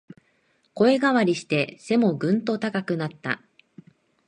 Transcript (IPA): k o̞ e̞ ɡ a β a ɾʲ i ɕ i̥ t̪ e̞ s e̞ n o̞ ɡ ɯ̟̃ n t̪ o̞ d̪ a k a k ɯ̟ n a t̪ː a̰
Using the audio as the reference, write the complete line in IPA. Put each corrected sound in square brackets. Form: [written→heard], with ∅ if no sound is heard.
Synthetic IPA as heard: k o̞ e̞ ɡ a β a ɾʲ i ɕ i̥ t̪ e̞ s e̞ [n→m] o̞ ɡ ɯ̟̃ n t̪ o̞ [d̪→t̪] a k a k ɯ̟ n a t̪ː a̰